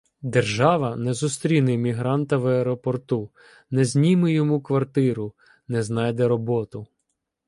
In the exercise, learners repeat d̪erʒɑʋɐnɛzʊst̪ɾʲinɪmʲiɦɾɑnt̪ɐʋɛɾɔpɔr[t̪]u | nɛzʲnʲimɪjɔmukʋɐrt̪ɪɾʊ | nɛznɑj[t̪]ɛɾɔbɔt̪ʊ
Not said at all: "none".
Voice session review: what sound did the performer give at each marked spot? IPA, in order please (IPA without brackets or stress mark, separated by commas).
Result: t̪, d̪